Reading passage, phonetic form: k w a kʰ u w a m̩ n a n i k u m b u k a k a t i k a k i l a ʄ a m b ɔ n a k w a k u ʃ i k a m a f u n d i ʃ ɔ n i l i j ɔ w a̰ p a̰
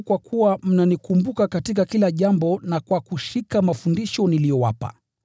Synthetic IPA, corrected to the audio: k w a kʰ u w a m̩ n a n i k u m b u k a k a t i k a k i l a ʄ a m b ɔ n a k w a k u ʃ i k a m a f u n d i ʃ ɔ n i l i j ɔ w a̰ p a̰